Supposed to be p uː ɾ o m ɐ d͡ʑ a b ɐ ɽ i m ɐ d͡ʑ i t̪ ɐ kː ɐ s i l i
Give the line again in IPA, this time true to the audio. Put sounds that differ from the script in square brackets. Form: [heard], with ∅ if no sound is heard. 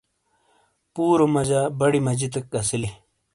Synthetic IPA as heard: p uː ɾ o m ɐ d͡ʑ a b ɐ ɽ i m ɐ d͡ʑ i t̪ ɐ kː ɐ s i l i